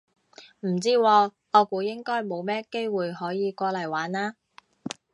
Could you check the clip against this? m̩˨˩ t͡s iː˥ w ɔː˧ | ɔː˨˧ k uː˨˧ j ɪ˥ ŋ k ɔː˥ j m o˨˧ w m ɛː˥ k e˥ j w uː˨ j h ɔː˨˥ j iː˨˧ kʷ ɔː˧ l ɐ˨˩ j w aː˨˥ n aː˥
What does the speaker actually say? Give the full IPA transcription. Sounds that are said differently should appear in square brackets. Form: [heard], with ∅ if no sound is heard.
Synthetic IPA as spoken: m̩˨˩ t͡s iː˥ w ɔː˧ | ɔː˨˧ k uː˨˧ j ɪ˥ ŋ k ɔː˥ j m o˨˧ w m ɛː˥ k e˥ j w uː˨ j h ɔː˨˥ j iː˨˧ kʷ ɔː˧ l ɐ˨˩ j w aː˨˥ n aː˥